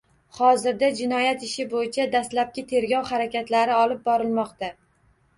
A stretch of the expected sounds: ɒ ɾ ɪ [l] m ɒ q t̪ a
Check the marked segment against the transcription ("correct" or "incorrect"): correct